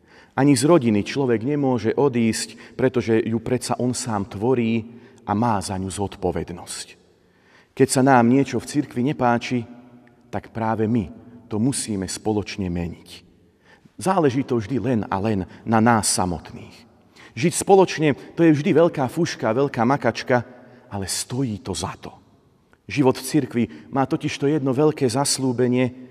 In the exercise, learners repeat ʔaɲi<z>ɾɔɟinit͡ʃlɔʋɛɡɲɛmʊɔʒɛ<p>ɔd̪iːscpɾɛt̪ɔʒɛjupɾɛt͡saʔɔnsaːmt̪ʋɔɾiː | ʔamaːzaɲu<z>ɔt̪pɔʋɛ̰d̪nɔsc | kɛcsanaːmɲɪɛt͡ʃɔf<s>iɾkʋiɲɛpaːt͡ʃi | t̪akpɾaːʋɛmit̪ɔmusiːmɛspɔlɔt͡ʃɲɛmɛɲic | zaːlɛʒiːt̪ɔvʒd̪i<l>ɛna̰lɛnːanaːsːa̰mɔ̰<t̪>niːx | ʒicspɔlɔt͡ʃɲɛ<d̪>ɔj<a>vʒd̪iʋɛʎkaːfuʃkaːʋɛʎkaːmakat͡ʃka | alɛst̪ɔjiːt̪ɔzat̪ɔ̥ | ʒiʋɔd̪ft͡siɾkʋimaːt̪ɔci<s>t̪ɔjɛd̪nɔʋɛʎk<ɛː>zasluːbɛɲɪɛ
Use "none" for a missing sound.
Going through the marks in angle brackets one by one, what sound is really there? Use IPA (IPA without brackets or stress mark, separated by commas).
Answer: z, ʔ, z, t͡s, l, t̪, t̪, ɛ, ʃ, ɛː